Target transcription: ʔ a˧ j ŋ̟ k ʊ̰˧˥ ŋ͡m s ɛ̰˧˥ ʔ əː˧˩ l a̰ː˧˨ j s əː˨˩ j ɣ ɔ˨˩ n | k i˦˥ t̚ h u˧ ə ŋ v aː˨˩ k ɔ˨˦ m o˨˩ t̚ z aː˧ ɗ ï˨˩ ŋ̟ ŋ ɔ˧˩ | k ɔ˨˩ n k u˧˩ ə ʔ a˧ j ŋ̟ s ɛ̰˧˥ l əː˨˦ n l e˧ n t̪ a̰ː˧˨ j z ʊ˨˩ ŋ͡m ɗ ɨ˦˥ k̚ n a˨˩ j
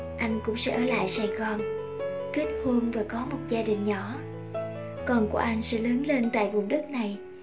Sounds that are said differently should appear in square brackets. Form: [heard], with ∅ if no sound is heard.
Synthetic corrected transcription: ʔ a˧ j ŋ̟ k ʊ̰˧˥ ŋ͡m s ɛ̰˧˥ ʔ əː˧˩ l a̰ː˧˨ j s [aː˨˩] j ɣ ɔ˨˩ n | k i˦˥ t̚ h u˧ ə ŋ v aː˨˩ k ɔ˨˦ m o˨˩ t̚ z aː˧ ɗ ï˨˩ ŋ̟ [ɲ] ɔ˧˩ | k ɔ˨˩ n k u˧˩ ə ʔ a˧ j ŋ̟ s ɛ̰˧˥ l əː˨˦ n l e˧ n t̪ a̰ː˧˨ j [v] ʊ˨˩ ŋ͡m ɗ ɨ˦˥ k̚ n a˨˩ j